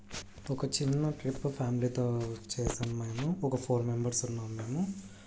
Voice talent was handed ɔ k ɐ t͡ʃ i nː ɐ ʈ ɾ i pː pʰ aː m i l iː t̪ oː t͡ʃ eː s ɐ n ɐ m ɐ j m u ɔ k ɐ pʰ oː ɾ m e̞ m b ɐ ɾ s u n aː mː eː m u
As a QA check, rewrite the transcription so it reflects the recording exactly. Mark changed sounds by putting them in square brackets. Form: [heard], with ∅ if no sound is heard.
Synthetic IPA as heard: ɔ k ɐ t͡ʃ i nː ɐ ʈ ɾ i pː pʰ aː m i l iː t̪ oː t͡ʃ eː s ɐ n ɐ m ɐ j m u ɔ k ɐ pʰ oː ɾ m e̞ m b ɐ ɾ s u [nː] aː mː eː m u